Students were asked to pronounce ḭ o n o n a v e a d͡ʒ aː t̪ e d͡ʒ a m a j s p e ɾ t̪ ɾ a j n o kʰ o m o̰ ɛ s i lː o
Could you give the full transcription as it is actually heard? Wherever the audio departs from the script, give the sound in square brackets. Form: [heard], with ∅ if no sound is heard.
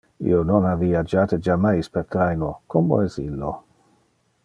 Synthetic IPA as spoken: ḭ o n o n a v [i] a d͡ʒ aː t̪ e d͡ʒ a m a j s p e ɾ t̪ ɾ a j n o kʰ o m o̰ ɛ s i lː o